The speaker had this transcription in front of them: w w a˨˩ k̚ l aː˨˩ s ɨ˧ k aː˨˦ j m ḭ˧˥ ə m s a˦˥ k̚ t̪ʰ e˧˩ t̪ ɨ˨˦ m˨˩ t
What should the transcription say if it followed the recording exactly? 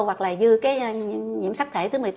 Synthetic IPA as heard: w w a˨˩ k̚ l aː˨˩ z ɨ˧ k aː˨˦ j ɲ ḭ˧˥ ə m s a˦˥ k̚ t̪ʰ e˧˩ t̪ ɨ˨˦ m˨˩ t